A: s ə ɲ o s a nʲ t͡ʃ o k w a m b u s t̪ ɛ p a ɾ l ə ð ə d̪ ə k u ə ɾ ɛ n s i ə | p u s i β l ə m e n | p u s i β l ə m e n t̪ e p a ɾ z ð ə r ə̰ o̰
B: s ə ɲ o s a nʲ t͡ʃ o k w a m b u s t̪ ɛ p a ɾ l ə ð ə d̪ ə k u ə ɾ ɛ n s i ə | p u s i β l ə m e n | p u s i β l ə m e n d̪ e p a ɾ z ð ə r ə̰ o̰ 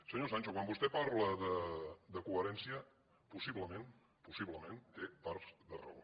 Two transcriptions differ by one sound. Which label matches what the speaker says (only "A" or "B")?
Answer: A